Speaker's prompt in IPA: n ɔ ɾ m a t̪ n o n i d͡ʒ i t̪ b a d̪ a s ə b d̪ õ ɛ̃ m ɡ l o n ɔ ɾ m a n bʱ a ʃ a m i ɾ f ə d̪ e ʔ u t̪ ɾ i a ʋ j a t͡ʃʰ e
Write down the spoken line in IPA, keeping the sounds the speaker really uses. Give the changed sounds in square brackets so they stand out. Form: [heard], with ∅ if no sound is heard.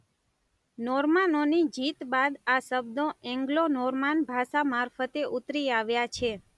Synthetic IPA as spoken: n ɔ ɾ m a [∅] n o n i d͡ʒ i t̪ b a d̪ a s ə b d̪ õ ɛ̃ [ŋ] ɡ l o n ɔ ɾ m a n bʱ a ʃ a m [a] ɾ f ə [t̪] e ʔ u t̪ ɾ i a ʋ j a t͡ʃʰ e